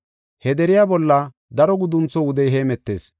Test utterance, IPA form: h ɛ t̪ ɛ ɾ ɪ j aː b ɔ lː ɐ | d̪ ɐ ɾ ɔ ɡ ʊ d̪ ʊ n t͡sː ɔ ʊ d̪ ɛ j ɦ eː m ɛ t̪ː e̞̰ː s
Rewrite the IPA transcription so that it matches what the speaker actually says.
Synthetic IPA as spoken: h ɛ d̪ ɛ ɾ ɪ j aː b ɔ lː ɐ | d̪ ɐ ɾ ɔ ɡ ʊ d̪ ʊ n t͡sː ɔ ʊ d̪ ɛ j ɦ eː m ɛ t̪ː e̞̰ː s